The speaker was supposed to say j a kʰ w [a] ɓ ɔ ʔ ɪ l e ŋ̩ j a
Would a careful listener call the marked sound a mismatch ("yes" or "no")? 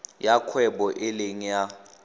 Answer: yes